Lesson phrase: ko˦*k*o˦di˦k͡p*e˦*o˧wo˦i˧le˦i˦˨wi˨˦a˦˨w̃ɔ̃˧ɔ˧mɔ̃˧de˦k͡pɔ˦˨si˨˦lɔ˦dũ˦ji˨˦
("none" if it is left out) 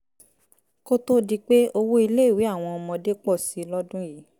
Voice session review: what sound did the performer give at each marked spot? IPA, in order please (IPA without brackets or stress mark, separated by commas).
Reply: t, e˦